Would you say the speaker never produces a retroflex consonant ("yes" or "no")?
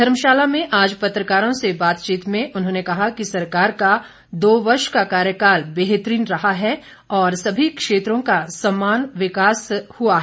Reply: yes